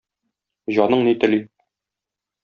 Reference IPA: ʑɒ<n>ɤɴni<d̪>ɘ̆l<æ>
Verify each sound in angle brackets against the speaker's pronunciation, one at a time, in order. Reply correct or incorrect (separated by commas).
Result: correct, incorrect, incorrect